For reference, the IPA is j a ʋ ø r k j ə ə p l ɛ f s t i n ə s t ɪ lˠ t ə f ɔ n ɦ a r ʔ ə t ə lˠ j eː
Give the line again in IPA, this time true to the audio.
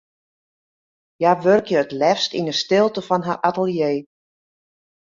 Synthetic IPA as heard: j a ʋ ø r k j ə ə t l ɛ f s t i n ə s t ɪ lˠ t ə f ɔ n ɦ a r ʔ a t ə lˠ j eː